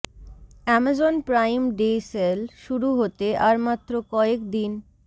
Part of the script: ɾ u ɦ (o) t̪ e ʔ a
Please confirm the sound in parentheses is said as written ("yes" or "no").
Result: yes